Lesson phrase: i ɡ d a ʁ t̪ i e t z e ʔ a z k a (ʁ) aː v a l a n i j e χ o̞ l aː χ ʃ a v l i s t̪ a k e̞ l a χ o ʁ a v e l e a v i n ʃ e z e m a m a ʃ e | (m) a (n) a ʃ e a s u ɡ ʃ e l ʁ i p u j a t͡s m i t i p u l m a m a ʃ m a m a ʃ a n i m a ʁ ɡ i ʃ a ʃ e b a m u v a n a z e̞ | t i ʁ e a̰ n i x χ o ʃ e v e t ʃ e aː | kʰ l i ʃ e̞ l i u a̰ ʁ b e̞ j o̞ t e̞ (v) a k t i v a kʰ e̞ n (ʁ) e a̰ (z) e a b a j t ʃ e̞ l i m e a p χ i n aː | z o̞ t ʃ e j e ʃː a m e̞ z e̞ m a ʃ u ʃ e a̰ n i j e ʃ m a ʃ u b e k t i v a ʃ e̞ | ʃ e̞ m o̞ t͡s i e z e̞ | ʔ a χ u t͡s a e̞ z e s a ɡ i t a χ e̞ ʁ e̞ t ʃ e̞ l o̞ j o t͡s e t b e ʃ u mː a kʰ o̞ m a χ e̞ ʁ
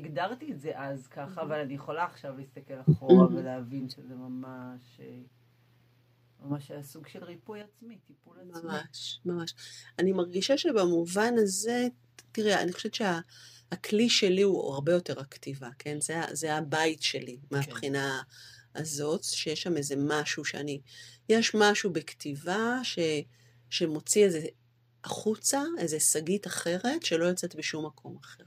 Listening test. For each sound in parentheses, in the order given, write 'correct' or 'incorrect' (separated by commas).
incorrect, correct, incorrect, incorrect, incorrect, correct